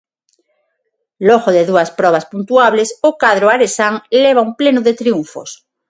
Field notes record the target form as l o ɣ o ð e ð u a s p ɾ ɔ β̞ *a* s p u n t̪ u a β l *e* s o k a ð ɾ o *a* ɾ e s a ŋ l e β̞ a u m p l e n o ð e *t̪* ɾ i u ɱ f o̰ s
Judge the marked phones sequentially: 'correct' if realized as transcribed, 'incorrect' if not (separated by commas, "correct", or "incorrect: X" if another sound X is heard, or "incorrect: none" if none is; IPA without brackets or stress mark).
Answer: correct, correct, correct, correct